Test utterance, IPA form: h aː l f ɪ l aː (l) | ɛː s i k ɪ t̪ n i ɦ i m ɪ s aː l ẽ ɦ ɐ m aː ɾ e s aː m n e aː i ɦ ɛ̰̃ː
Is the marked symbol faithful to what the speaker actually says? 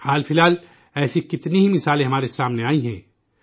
yes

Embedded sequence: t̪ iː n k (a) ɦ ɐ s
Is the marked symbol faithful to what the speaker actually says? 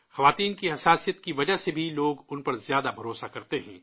no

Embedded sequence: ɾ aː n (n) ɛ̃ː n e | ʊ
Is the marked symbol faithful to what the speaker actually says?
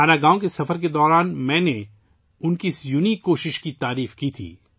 no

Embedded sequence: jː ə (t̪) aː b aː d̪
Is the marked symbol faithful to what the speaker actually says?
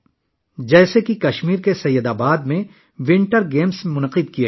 no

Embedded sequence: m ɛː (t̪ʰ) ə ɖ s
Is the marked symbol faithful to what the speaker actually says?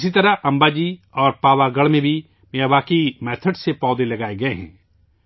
yes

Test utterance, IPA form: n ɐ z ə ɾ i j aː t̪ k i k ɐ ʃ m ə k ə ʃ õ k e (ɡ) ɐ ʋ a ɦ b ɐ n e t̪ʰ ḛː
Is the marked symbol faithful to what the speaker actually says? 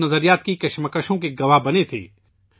yes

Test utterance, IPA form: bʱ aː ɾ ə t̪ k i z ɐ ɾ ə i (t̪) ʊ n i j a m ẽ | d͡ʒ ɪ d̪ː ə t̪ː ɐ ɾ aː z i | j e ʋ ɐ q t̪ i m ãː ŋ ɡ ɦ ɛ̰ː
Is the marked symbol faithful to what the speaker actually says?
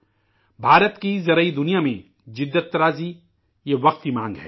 no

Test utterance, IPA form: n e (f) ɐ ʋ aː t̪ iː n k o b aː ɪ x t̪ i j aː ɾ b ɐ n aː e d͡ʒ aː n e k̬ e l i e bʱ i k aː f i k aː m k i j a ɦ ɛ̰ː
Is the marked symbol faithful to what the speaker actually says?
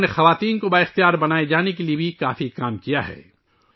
no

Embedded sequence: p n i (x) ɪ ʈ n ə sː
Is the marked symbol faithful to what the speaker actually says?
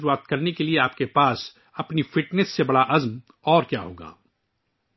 no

